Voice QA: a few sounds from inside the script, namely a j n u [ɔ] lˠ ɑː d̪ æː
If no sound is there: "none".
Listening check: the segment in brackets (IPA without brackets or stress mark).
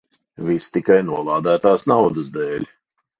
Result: ɔ